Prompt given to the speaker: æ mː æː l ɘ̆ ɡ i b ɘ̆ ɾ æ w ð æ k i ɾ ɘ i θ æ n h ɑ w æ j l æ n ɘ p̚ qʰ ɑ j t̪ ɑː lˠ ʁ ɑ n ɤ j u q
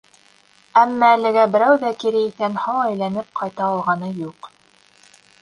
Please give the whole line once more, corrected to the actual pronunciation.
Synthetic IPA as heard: æ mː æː l ɘ̆ ɡ æ b ɘ̆ ɾ æ w ð æ k i ɾ ɘ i θ æ n h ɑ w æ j l æ n ɘ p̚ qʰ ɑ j t̪ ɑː lˠ ʁ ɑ n ɤ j u q